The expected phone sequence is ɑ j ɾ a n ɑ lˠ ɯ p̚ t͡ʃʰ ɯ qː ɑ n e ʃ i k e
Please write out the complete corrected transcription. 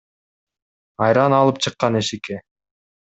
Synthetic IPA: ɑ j ɾ ɑ n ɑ lˠ ɯ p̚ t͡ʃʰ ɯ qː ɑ n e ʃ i k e